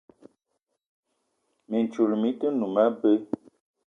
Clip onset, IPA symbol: m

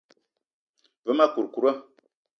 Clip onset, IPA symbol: v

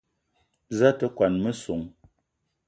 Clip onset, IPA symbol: z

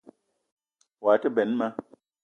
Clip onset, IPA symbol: w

